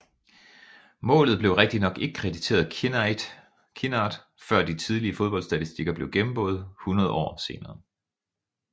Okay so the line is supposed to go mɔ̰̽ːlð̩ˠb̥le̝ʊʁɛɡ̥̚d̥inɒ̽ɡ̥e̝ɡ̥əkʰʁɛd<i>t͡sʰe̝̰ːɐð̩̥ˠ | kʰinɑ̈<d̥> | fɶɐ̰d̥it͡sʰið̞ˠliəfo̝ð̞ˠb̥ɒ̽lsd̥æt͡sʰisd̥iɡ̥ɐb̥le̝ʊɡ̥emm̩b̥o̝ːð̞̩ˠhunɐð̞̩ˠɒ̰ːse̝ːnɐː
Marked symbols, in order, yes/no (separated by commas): yes, yes